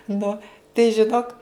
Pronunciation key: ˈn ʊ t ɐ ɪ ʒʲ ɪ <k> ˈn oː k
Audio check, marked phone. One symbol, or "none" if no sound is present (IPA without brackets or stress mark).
none